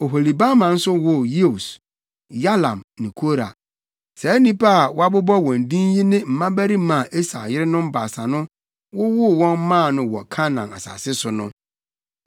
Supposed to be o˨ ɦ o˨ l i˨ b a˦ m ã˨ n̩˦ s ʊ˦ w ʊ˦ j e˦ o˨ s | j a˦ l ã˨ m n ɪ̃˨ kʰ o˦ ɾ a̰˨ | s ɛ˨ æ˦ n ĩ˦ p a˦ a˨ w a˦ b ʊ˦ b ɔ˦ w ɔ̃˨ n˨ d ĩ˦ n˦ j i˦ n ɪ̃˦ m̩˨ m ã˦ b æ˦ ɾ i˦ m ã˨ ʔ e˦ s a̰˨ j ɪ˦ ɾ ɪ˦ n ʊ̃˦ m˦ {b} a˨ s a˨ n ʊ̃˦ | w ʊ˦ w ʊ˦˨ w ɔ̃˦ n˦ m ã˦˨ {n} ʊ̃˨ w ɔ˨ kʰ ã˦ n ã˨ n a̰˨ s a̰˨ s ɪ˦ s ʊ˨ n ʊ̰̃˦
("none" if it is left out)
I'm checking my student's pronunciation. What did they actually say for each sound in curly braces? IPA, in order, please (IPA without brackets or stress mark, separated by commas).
b, n